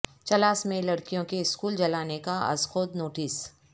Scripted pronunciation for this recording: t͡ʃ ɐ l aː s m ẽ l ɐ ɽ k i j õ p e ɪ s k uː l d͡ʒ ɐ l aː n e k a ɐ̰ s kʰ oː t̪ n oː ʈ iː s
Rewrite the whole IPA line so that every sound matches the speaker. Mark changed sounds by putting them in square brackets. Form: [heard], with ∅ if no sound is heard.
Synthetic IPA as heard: t͡ʃ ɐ l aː s m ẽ l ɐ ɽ k i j õ [k] e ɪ s k uː l d͡ʒ ɐ l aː n e k a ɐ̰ s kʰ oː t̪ n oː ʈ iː s